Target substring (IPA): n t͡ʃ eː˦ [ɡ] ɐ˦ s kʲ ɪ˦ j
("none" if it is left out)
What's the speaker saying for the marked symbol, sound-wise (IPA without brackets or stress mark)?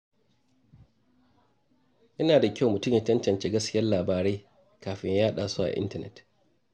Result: ɡ